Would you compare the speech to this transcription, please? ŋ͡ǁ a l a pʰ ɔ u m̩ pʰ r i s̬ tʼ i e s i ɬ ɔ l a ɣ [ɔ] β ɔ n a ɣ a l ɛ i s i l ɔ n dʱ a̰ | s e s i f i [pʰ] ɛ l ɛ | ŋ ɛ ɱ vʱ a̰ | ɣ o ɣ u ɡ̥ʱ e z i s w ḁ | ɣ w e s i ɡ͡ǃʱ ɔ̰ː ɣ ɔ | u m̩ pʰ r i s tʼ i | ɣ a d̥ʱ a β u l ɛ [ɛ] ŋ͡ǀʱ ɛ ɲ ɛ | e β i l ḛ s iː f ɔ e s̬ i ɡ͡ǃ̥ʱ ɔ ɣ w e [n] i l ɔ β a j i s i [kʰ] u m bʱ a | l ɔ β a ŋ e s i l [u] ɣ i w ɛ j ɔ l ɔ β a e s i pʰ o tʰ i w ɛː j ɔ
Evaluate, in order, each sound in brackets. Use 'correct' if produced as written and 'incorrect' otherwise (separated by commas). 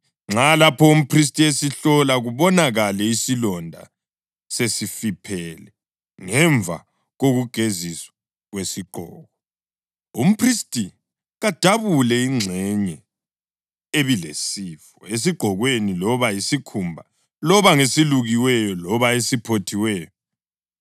incorrect, correct, incorrect, correct, correct, correct